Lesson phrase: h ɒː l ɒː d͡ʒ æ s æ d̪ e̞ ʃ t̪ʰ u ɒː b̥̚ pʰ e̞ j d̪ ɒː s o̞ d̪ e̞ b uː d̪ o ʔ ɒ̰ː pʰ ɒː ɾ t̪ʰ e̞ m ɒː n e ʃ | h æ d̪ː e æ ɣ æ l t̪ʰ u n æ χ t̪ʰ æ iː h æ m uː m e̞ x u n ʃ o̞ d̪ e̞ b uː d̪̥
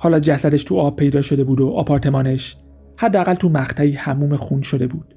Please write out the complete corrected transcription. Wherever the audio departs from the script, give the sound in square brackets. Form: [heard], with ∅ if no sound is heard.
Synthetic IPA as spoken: h ɒː l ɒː d͡ʒ æ s æ d̪ e̞ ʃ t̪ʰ u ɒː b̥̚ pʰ e̞ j d̪ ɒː [ʃ] o̞ d̪ e̞ b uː d̪ o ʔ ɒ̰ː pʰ ɒː ɾ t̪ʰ e̞ m ɒː n e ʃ | h æ d̪ː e æ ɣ æ l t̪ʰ u [m] æ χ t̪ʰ æ iː h æ m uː m e̞ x u n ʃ o̞ d̪ e̞ b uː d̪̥